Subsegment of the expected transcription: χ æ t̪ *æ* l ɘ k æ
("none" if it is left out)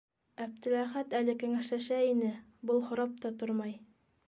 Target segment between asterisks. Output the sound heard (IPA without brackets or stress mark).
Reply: æ